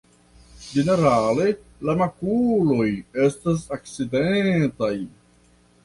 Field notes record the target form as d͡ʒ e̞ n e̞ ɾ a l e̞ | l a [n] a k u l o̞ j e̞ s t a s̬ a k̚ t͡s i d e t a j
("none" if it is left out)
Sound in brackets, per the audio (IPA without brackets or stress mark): m